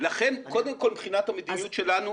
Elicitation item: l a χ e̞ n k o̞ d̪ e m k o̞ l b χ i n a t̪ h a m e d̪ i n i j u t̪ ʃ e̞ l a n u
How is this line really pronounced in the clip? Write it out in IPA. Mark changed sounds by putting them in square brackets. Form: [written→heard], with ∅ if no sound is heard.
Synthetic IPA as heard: l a χ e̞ n k o̞ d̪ e m k o̞ l b χ i n a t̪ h a m e d̪ i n i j u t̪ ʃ e̞ l a n u

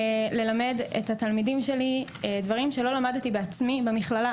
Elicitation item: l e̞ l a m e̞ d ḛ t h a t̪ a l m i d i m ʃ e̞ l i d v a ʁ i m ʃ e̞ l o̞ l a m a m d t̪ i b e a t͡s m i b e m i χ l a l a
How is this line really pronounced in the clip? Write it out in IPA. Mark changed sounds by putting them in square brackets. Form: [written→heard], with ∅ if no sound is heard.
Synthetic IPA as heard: l e̞ l a m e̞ d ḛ t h a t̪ a l m i d i m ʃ e̞ l i d v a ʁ i m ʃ e̞ l o̞ l a m a [m→∅] d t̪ i b e a t͡s m i b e m i χ l a l a

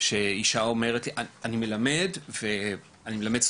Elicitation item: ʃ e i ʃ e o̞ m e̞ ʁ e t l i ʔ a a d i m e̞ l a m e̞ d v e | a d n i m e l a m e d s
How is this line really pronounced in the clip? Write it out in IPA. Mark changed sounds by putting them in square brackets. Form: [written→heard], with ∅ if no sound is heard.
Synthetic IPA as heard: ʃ e i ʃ [e→a] o̞ m e̞ ʁ e t l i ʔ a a [d→n] i m e̞ l a m e̞ d v e | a [d→∅] n i m e l a m e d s

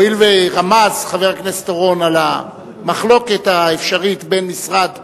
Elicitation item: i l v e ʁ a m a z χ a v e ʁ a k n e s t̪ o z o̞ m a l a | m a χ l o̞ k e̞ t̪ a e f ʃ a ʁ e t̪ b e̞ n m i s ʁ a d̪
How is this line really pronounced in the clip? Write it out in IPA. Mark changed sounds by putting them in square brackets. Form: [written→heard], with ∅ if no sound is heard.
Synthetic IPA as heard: i l v e ʁ a m a z χ a v e ʁ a k n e s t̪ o [z→ʁ] o̞ [m→n] a l a | m a χ l o̞ k e̞ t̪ a e f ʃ a ʁ [e→i] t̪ b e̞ n m i s ʁ a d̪

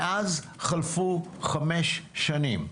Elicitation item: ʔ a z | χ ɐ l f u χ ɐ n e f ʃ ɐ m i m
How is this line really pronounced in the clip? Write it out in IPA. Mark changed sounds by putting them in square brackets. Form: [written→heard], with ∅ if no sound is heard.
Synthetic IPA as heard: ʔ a z | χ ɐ l f u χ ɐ [n→m] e [f→ʃ] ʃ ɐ [m→n] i m

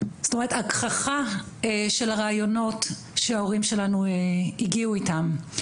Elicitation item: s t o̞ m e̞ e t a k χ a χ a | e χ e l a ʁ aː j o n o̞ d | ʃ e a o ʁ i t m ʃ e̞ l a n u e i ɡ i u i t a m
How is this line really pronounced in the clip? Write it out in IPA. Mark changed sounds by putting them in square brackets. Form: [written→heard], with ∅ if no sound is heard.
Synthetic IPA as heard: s t o̞ m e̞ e t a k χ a χ a | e [χ→ʃ] e l a ʁ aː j o n o̞ [d→t] | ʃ e a o ʁ i [t→∅] m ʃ e̞ l a n u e i ɡ i u i t a m

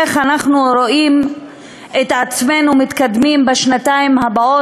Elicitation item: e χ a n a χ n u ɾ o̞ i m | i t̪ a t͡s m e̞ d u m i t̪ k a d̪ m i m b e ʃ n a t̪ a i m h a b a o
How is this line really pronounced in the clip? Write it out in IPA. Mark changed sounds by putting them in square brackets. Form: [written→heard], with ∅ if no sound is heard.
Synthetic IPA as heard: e χ a n a χ n u ɾ o̞ i m | [i→e] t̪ a t͡s m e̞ [d→n] u m i t̪ k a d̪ m i m b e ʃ n a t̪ a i m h a b a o

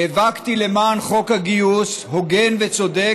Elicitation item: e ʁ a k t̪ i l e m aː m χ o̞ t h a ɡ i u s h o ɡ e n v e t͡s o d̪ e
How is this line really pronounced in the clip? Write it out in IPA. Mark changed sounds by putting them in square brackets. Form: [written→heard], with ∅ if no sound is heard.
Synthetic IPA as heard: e [ʁ→v] a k t̪ i l e m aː [m→n] χ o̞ [t→k] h a ɡ i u s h o ɡ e n v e t͡s o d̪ e

